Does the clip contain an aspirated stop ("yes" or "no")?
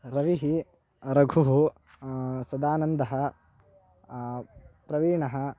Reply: no